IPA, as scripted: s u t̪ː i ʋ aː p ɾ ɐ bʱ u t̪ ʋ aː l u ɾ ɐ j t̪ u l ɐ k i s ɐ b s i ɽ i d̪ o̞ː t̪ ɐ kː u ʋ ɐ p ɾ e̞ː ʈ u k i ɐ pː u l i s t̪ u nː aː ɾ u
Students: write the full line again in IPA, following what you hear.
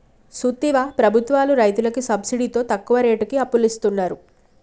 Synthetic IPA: s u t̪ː i ʋ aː p ɾ ɐ bʱ u t̪ ʋ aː l u ɾ ɐ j t̪ u l ɐ k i s ɐ b s i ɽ i t̪ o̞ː t̪ ɐ kː u ʋ ɐ ɾ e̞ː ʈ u k i ɐ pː u l i s t̪ u nː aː ɾ u